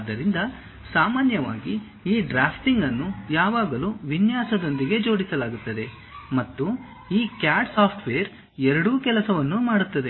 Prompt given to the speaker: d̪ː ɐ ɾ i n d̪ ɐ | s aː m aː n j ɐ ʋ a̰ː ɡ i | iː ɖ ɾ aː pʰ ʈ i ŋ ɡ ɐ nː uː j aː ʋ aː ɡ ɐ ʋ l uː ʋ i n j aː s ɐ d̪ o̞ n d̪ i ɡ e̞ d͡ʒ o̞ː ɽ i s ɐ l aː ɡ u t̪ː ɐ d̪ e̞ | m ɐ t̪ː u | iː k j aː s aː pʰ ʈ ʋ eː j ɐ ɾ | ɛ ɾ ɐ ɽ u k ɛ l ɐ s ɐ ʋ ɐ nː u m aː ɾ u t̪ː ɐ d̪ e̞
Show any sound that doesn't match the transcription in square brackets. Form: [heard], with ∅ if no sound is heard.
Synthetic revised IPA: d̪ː ɐ ɾ i n d̪ ɐ | s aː m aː n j ɐ ʋ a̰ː ɡ i | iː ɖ ɾ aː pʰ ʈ i ŋ ɡ ɐ nː [u] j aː ʋ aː ɡ ɐ [∅] l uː ʋ i n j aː s ɐ d̪ o̞ n d̪ i ɡ e̞ d͡ʒ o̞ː ɽ i s ɐ l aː ɡ u t̪ː ɐ d̪ e̞ | m ɐ t̪ː u | iː k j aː s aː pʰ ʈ ʋ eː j ɐ ɾ | ɛ ɾ ɐ ɽ u k ɛ l ɐ s ɐ ʋ ɐ nː u m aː [ɽ] u t̪ː ɐ d̪ e̞